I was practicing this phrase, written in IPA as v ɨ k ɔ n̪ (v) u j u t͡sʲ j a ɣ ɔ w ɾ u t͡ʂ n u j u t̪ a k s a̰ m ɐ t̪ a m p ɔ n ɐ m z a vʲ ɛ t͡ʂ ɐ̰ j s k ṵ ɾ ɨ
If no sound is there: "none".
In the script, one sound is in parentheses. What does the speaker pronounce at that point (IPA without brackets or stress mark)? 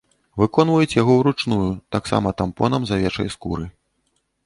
v